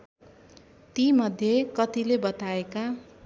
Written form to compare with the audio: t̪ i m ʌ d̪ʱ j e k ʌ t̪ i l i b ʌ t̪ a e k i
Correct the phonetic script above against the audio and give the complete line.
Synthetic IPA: t̪ i m ʌ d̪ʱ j e k ʌ t̪ i l e b ʌ t̪ a e k a

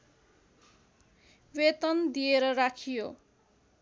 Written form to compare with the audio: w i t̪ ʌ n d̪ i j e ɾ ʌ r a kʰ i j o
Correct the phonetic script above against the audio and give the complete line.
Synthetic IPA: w e t̪ ʌ n d̪ i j e ɾ ʌ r a kʰ i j o

